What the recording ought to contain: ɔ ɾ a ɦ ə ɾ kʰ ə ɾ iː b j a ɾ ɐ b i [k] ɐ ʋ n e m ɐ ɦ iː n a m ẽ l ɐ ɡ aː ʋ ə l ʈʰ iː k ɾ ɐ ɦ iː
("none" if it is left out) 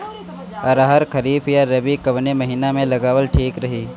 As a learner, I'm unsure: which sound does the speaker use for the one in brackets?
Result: k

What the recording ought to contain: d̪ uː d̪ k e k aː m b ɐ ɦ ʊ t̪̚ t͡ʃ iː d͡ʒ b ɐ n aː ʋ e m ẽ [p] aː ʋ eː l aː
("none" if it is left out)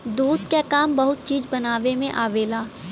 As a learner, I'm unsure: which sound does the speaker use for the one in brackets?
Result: ʔ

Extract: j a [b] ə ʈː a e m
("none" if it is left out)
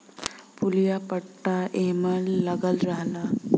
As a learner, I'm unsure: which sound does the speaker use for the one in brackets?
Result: p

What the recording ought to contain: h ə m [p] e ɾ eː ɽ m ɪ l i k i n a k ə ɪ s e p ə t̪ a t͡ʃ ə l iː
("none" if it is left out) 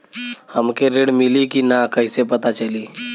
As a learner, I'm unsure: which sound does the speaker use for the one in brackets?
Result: k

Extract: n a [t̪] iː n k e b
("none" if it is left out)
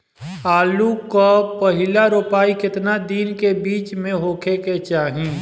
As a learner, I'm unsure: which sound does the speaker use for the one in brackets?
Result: d̪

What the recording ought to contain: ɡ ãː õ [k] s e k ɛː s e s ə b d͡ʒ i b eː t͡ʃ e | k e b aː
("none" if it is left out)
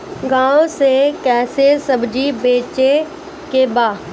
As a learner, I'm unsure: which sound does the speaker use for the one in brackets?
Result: none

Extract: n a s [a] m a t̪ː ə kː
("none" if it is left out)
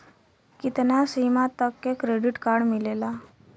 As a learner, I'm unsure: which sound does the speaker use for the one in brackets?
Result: i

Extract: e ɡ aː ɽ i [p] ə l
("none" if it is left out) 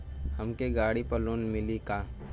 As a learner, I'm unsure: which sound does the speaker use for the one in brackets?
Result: p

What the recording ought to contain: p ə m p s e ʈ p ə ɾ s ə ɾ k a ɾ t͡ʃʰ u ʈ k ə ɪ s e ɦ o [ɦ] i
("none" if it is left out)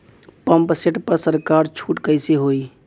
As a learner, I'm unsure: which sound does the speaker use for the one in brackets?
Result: none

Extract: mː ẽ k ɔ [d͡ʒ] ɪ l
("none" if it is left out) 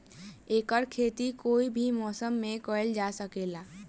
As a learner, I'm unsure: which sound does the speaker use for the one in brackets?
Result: none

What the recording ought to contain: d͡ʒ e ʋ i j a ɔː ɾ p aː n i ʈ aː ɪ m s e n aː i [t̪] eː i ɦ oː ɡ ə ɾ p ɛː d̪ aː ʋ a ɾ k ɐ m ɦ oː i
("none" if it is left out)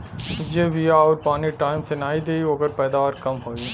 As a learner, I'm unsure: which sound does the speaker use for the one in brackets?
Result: d̪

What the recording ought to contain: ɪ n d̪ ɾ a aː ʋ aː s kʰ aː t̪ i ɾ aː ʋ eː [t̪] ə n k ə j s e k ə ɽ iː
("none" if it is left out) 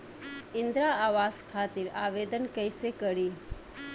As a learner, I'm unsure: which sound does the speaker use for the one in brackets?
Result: d̪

